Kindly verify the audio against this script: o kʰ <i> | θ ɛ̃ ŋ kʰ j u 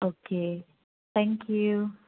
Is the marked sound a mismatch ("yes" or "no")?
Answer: yes